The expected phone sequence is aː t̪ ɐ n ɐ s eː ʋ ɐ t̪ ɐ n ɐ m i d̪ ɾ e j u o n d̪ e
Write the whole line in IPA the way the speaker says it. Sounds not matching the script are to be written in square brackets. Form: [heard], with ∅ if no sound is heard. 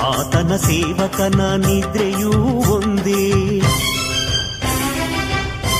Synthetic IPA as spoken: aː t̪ ɐ n ɐ s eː ʋ ɐ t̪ ɐ n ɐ [n] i d̪ ɾ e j u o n d̪ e